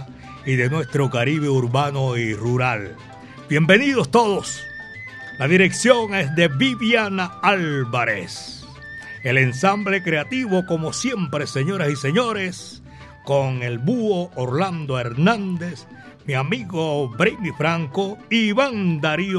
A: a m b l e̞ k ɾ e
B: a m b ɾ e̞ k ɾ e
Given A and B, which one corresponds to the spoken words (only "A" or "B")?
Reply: A